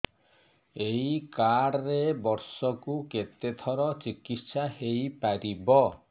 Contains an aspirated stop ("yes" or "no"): yes